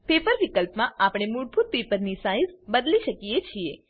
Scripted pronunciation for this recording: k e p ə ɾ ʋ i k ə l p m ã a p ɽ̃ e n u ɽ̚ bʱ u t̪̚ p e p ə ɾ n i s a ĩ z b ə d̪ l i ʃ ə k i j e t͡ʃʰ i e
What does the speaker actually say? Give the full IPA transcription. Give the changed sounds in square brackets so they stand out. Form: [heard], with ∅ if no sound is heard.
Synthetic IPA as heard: [p] e p ə ɾ ʋ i k ə l p m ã a p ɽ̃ e [m] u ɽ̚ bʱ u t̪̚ p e p ə ɾ n i s a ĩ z b ə d̪ l i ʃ ə k i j e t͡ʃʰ i e